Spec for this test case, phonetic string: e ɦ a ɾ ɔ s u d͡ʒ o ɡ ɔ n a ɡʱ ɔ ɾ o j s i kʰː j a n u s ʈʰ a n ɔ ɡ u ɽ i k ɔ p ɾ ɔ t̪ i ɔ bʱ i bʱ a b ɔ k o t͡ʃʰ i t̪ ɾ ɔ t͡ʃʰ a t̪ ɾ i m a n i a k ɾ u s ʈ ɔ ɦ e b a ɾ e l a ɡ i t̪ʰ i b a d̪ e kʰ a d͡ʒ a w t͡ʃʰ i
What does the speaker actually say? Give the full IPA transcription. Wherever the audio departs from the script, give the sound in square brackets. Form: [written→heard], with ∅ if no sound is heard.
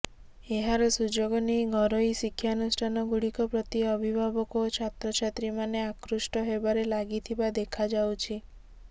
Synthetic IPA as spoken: e ɦ a ɾ ɔ s u d͡ʒ o ɡ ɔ n [a→i] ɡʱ ɔ ɾ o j s i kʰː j a n u s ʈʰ a n ɔ ɡ u ɽ i k ɔ p ɾ ɔ t̪ i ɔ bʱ i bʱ a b ɔ k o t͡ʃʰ [i→a] t̪ ɾ ɔ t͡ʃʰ a t̪ ɾ i m a n [i→e] a k ɾ u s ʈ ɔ ɦ e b a ɾ e l a ɡ i t̪ʰ i b a d̪ e kʰ a d͡ʒ a w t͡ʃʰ i